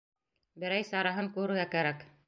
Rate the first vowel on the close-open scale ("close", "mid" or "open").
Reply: mid